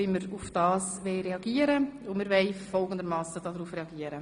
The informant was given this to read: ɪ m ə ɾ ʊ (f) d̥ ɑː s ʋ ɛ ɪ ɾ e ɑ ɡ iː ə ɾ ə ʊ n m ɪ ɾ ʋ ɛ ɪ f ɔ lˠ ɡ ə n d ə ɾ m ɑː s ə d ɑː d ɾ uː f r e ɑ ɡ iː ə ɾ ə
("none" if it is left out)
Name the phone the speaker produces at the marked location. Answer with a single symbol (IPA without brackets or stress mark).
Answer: f